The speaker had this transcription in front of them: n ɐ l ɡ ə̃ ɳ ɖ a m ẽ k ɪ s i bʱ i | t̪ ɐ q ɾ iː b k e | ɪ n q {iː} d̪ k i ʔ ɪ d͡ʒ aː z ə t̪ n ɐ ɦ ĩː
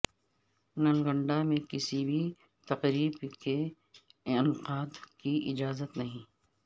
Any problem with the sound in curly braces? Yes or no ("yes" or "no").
yes